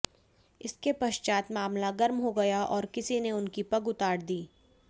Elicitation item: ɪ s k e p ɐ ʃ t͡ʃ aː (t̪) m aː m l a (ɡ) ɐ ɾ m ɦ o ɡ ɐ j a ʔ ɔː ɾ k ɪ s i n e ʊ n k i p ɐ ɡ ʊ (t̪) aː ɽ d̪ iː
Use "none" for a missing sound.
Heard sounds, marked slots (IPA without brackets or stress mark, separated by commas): t̪, ɡ, t̪